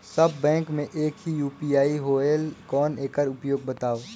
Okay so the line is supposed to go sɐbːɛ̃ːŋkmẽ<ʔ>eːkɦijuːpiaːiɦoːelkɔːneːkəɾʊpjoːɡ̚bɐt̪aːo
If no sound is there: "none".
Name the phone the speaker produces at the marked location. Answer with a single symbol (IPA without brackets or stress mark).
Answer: ʔ